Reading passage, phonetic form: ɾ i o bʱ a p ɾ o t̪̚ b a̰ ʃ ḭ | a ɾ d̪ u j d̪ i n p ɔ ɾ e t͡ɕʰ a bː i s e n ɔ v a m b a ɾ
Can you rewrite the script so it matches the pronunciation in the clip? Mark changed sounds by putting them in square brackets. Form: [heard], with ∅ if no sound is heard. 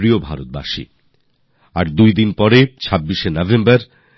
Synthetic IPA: ɾ i o bʱ a [∅] ɾ o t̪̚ b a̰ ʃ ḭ | a ɾ d̪ u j d̪ i n p ɔ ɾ e t͡ɕʰ a bː i [ʃ] e n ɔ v [e] m b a ɾ